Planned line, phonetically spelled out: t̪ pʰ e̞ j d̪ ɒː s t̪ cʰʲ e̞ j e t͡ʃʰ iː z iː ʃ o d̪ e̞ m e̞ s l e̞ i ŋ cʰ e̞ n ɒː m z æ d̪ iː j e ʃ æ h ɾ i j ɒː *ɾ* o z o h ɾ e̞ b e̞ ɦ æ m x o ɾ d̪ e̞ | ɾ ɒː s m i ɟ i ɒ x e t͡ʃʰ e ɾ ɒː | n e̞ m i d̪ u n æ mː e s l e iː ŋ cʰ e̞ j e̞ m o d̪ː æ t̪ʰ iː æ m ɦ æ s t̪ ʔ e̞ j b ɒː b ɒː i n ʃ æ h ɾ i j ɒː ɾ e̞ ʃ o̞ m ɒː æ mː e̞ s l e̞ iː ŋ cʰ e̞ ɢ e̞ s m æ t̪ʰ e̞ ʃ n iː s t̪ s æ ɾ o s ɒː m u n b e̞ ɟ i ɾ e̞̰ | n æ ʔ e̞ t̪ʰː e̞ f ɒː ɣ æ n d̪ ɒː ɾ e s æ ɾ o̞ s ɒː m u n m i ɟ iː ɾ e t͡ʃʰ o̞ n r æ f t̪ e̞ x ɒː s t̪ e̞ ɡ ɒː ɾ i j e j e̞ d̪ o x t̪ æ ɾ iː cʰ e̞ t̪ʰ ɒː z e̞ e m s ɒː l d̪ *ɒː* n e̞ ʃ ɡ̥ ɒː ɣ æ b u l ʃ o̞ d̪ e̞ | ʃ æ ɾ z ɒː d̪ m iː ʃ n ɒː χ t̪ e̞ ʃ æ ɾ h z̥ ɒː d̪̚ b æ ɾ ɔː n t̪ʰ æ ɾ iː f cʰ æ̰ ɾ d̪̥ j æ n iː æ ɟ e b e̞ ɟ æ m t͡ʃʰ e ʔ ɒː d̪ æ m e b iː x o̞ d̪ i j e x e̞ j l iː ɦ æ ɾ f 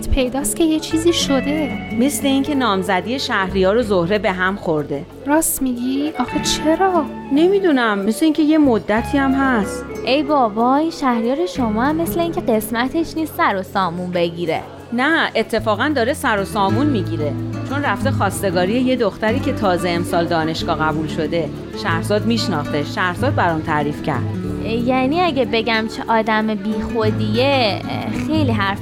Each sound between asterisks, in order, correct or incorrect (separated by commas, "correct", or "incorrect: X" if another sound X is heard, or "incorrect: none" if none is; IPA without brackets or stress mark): correct, correct